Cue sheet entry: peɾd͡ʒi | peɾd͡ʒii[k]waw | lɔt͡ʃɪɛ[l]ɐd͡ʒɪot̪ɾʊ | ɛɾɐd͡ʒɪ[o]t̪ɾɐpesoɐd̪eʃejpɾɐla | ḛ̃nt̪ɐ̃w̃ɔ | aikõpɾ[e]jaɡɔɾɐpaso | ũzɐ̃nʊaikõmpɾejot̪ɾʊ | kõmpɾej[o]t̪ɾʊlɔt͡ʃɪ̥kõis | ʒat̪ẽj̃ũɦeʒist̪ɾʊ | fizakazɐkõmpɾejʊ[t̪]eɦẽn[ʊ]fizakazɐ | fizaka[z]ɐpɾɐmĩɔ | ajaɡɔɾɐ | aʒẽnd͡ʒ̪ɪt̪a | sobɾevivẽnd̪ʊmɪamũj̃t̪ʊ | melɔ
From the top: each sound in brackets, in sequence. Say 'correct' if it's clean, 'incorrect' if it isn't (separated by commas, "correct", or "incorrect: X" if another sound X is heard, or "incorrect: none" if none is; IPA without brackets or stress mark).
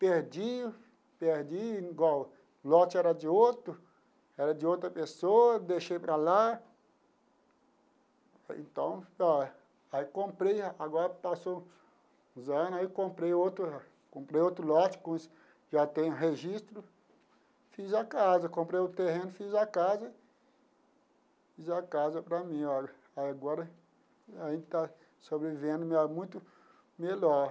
incorrect: ɡ, incorrect: ɾ, correct, correct, correct, correct, correct, correct